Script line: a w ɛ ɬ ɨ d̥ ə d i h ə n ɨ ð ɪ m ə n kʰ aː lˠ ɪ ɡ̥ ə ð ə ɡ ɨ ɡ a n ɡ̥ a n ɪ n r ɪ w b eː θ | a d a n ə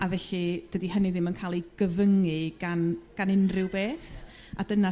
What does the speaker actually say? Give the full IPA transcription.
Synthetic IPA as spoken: a v ɛ ɬ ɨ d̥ ə d i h ə n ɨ ð ɪ m ə n kʰ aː lˠ i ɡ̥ ə v ə ŋ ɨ ɡ a n ɡ̥ a n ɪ n r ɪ w b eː θ | a d ə n a